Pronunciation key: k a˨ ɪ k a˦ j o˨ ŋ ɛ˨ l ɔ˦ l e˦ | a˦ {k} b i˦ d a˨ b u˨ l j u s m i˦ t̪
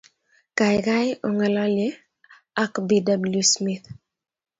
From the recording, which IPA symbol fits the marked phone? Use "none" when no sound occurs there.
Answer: k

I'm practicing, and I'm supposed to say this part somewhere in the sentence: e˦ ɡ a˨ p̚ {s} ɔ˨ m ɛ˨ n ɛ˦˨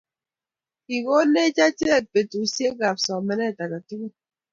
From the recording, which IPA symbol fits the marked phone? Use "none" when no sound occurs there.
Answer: s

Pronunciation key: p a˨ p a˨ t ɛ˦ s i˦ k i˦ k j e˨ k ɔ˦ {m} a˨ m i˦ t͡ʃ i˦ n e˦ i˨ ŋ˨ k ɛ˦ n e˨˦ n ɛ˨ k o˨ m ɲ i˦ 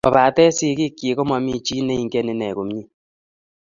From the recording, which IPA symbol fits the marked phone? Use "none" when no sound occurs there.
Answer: m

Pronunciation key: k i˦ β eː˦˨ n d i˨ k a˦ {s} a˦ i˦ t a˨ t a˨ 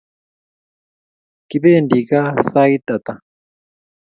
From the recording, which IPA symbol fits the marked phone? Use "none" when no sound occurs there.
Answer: s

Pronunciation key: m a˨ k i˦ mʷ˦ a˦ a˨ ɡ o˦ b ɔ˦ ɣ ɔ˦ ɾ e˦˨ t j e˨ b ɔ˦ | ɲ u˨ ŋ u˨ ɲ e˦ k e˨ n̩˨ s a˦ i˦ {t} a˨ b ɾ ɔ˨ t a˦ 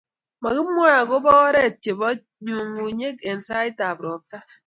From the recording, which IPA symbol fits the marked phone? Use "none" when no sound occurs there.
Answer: t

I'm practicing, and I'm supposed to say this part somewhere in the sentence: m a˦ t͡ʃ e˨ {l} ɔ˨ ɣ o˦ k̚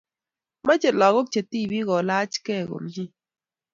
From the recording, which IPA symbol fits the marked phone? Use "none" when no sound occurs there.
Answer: l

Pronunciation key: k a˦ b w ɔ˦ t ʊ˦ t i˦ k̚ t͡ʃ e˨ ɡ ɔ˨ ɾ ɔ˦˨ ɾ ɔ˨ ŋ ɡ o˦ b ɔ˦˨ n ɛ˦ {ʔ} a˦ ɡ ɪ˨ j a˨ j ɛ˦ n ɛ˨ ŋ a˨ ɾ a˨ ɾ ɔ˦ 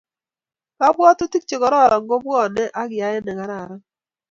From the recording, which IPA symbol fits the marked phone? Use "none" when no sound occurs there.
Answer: ʔ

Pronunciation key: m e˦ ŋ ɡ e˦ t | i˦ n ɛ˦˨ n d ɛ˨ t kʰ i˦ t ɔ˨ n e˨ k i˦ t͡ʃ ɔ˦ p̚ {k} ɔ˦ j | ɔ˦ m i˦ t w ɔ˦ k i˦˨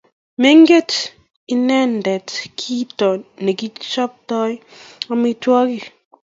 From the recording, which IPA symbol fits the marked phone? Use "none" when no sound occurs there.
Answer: t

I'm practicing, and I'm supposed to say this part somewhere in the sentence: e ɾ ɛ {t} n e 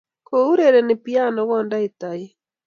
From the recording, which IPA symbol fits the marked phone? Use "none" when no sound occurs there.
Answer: none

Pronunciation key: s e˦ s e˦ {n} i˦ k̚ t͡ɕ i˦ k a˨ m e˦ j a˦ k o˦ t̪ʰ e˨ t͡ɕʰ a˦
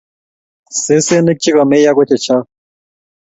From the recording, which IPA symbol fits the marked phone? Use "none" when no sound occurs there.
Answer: n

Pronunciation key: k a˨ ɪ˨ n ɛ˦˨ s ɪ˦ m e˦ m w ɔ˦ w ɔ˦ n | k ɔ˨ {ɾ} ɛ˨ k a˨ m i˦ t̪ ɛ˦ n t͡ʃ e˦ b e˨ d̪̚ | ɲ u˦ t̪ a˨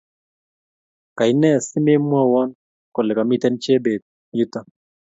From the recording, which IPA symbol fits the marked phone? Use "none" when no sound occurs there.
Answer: l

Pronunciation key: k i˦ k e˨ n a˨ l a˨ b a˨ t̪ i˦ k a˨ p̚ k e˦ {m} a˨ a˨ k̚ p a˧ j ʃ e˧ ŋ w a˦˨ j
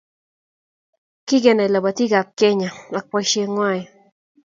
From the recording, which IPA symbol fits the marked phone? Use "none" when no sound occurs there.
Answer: ɲ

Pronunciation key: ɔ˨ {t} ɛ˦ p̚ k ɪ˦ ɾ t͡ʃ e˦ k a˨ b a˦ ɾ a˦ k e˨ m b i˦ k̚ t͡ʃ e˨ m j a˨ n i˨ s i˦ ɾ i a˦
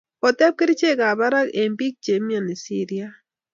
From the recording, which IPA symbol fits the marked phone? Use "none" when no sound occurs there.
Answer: t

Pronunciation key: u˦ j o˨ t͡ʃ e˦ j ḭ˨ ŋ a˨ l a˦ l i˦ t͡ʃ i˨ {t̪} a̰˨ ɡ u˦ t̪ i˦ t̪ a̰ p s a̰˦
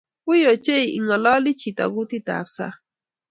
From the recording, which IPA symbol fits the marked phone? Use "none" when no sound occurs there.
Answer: t̪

